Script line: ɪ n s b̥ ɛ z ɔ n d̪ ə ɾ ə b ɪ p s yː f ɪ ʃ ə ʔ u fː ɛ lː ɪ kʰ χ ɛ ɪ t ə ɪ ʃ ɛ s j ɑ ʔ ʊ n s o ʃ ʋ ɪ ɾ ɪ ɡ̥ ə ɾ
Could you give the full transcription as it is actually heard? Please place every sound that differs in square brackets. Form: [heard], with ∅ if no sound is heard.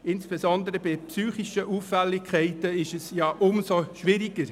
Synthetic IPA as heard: ɪ n s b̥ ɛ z ɔ n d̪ ə ɾ ə b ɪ p s yː [χ] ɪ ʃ ə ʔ u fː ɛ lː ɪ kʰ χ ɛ ɪ t ə ɪ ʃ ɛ s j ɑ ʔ ʊ [m] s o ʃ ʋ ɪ ɾ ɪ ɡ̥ ə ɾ